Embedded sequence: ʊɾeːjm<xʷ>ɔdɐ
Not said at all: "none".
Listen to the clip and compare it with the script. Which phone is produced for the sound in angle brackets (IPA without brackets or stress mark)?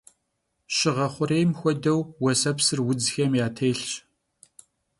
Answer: xʷ